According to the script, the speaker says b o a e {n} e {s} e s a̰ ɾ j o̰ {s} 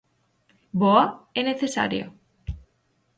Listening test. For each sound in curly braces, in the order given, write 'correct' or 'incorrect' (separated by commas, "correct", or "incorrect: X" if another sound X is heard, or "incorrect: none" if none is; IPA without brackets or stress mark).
correct, incorrect: θ, incorrect: none